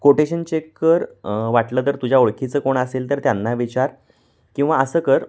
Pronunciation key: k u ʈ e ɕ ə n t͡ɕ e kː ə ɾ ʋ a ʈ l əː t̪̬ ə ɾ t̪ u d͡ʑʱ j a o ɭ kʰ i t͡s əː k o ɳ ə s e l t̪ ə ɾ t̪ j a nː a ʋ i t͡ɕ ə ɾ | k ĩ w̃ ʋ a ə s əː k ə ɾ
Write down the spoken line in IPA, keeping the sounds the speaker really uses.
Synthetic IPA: k o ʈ e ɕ ə n t͡ɕ e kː ə ɾ ʋ a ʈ l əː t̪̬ ə ɾ t̪ u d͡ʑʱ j a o ɭ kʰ i t͡s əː k o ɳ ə s e l t̪ ə ɾ t̪ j a nː a ʋ i t͡ɕ a ɾ | k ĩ w̃ ʋ a ə s əː k ə ɾ